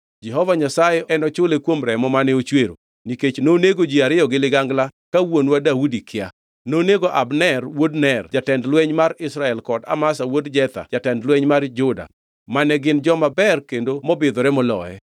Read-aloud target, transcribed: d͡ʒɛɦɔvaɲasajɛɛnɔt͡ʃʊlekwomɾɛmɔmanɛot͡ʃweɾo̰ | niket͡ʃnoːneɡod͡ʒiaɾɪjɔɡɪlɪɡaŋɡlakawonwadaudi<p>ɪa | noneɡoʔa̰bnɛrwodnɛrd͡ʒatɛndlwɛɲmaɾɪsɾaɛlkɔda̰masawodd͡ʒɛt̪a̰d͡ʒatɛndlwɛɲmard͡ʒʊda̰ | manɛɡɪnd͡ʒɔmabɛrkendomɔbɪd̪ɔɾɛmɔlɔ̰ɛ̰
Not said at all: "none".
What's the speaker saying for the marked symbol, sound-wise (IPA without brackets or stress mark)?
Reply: k